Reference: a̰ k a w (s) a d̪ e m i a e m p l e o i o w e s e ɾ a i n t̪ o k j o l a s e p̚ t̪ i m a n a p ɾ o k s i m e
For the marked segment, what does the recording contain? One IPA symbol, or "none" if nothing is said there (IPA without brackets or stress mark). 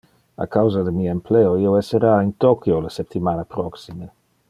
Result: z